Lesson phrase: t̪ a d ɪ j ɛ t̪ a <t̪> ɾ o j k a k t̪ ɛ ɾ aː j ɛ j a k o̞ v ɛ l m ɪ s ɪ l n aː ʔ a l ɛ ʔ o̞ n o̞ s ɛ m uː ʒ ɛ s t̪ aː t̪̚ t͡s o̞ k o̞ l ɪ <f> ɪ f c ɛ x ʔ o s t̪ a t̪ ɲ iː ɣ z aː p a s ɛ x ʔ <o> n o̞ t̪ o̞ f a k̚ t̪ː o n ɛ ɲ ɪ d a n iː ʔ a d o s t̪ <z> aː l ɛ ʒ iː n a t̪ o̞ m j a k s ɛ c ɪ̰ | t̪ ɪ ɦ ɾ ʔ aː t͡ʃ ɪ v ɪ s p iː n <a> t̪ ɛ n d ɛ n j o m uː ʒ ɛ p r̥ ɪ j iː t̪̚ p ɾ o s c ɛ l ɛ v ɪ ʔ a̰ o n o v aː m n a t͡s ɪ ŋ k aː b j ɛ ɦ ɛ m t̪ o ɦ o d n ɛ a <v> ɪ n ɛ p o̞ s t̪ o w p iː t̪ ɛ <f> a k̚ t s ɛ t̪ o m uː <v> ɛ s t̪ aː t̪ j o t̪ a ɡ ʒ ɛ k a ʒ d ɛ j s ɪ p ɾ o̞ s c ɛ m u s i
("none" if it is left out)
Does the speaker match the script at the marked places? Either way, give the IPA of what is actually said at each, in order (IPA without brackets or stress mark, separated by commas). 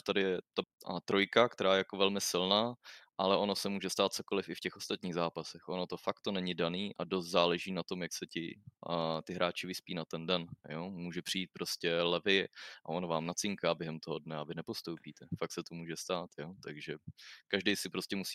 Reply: t̪, f, o, z, a, v, f, ʒ